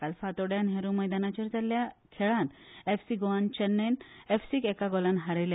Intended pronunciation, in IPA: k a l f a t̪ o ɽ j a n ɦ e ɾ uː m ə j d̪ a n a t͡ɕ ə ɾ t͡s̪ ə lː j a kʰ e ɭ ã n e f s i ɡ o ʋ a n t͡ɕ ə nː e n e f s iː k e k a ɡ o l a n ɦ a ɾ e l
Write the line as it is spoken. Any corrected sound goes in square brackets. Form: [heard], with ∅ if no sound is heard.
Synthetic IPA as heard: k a l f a t̪ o ɽ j a n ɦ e ɾ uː m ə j d̪ a n a t͡ɕ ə ɾ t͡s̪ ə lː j a kʰ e ɭ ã n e f s i ɡ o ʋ a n t͡ɕ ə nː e n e f s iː k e k a ɡ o l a n ɦ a ɾ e l